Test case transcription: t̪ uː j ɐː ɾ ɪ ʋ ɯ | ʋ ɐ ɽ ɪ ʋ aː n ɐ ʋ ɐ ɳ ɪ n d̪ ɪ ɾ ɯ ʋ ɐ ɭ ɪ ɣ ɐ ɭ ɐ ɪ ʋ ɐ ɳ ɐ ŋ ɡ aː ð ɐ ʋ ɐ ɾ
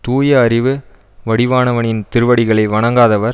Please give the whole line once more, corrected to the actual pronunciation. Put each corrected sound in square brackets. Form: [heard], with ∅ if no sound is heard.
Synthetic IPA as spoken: t̪ uː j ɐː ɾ ɪ ʋ ɯ | ʋ ɐ ɽ ɪ ʋ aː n ɐ ʋ ɐ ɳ ɪ n [t̪] ɪ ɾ ɯ ʋ ɐ [ɽ] ɪ ɣ ɐ ɭ ɐ ɪ ʋ ɐ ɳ ɐ ŋ ɡ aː ð ɐ ʋ ɐ ɾ